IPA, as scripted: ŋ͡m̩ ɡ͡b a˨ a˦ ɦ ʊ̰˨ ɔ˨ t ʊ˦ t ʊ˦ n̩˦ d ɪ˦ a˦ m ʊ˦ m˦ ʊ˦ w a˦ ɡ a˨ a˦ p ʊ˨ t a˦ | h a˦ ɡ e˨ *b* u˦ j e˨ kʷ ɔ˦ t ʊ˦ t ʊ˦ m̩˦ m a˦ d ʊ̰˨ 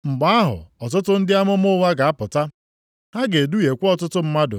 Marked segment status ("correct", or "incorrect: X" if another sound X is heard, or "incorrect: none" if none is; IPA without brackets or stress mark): incorrect: d